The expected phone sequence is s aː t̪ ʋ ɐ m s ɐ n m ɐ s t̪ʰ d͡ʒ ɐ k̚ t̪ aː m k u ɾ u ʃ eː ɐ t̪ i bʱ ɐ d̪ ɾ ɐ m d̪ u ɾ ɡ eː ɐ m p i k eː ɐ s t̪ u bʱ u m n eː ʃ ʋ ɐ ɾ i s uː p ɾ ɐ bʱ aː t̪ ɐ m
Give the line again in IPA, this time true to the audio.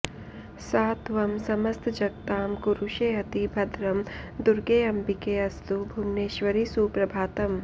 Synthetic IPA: s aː t̪ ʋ ɐ m s ɐ m ɐ s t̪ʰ d͡ʒ ɐ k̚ t̪ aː m k u ɾ u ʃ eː ɐ t̪ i bʱ ɐ d̪ ɾ ɐ m d̪ u ɾ ɡ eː ɐ m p i k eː ɐ s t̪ u bʱ u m n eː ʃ ʋ ɐ ɾ i s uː p ɾ ɐ bʱ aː t̪ ɐ m